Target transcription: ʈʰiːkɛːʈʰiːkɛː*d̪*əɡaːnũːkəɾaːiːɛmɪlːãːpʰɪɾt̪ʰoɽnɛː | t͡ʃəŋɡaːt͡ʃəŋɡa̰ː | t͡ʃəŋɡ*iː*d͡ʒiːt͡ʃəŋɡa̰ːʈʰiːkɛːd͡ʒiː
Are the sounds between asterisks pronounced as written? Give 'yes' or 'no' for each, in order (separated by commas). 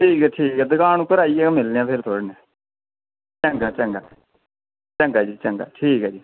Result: yes, no